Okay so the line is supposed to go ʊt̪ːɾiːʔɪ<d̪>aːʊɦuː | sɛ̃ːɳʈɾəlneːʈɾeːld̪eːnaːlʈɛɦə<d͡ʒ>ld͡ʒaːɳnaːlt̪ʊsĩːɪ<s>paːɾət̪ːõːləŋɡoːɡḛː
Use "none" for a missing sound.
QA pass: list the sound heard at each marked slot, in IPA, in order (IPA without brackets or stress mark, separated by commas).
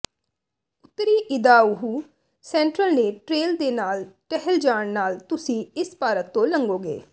d̪, none, s